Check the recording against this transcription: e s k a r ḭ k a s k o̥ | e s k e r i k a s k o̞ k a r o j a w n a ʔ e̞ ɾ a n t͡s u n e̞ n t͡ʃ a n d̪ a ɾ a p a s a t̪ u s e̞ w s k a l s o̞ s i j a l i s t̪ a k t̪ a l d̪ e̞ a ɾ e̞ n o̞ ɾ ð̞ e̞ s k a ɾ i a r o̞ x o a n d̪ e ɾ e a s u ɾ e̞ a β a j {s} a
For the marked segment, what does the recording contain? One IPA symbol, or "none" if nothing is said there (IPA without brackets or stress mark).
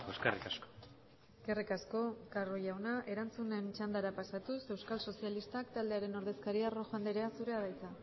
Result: t͡s